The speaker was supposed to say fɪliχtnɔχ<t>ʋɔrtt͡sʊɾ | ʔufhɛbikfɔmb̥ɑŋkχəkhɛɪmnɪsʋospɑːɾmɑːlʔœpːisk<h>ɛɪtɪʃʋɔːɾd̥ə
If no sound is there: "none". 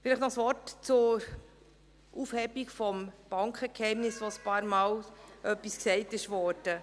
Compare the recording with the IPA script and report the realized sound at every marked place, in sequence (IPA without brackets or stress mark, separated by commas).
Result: s, s